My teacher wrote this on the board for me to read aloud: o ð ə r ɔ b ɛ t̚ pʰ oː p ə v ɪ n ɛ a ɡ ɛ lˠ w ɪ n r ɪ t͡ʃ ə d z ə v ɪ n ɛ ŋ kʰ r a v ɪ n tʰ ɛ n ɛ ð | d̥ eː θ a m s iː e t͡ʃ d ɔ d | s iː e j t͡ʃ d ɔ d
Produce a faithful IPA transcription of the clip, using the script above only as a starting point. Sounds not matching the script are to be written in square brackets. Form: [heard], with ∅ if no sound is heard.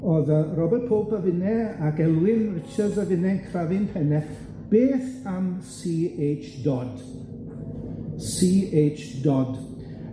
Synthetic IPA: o ð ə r ɔ b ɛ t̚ pʰ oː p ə v ɪ n ɛ a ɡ ɛ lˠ w ɪ n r ɪ t͡ʃ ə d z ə v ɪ n ɛ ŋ kʰ r a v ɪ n [pʰ] ɛ n ɛ [θ] | [b̥] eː θ a m s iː e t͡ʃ d ɔ d | s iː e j t͡ʃ d ɔ d